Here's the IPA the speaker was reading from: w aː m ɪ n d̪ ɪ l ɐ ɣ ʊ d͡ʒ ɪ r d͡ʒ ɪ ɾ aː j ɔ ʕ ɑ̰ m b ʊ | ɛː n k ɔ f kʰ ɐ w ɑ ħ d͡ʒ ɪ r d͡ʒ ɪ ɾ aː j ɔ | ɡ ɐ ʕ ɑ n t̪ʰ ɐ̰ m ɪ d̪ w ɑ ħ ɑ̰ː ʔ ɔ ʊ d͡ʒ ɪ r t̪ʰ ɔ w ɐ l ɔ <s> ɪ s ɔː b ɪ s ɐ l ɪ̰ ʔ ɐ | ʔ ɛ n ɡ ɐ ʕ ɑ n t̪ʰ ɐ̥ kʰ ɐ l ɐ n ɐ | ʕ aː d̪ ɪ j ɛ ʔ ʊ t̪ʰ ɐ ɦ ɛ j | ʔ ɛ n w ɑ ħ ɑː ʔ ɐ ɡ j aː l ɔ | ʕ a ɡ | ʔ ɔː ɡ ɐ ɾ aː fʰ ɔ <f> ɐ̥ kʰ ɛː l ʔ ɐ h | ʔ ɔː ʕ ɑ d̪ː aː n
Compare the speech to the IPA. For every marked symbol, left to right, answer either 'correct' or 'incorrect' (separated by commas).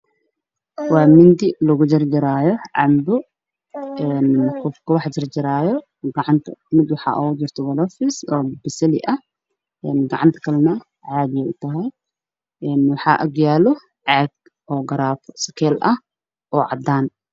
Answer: incorrect, incorrect